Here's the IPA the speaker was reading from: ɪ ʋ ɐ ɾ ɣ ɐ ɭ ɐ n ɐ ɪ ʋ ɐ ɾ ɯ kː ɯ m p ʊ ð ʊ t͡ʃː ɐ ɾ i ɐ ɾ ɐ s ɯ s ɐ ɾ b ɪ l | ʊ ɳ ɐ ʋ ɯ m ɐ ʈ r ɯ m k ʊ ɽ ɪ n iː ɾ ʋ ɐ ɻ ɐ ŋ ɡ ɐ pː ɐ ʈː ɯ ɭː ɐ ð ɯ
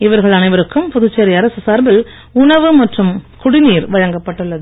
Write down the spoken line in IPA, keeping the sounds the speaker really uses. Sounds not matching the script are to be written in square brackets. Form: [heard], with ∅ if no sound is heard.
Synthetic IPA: ɪ ʋ ɐ ɾ ɣ ɐ ɭ ɐ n ɐ ɪ ʋ ɐ ɾ ɯ kː ɯ m p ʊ ð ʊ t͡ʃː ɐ ɾ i ɐ ɾ ɐ s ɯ s ɐ ɾ b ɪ l | ʊ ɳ ɐ ʋ ɯ m ɐ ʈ r ɯ m k ʊ ɽ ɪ n iː ɾ ʋ ɐ ɻ ɐ ŋ ɡ ɐ pː ɐ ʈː ɯ ɭː ɐ ð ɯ